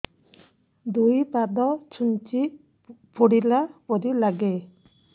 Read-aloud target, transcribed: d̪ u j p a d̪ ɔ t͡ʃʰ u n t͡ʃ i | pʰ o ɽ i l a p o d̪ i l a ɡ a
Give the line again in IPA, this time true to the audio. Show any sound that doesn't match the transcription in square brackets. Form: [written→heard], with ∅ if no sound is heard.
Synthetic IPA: d̪ u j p a d̪ ɔ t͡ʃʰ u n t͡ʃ i | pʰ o ɽ i l a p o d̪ i l a ɡ [a→e]